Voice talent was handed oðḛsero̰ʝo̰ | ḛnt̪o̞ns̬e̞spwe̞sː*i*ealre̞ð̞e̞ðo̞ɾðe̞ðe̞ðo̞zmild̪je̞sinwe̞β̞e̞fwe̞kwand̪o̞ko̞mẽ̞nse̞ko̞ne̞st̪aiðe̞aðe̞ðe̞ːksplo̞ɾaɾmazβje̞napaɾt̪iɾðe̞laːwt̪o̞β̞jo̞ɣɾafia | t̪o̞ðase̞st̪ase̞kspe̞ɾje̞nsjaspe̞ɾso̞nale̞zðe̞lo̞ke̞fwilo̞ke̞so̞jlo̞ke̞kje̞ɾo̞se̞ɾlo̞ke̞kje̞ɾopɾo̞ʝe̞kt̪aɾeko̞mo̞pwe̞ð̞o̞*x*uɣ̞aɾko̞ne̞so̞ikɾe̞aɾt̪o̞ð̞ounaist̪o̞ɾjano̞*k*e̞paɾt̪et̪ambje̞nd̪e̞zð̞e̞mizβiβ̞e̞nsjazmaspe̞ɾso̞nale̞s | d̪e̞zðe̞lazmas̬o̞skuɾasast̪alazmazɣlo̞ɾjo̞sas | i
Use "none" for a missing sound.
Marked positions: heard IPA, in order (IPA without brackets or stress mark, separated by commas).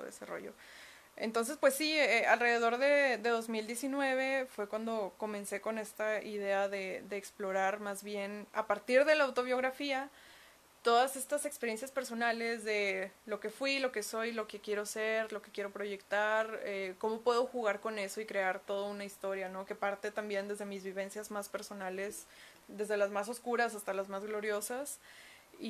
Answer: i, x, k